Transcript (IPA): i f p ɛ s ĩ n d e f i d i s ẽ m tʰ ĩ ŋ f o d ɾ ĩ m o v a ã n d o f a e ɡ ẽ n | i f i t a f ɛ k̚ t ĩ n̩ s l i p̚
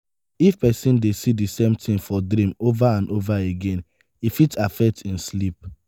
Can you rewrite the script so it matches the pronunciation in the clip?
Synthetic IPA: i f p ɛ s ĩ n d e s i d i s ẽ m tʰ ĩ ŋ f ɔ d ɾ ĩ m o v a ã n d o v a e ɡ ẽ n | i f i t a f ɛ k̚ t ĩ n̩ s l i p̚